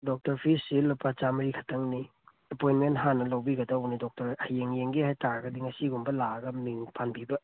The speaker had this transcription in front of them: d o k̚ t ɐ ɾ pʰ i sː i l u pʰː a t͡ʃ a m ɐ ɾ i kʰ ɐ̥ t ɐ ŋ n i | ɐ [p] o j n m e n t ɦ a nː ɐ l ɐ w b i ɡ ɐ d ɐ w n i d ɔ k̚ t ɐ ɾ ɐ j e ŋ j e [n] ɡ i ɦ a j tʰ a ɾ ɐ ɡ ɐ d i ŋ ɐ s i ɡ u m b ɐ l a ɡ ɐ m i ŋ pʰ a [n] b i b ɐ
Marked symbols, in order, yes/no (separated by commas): yes, no, yes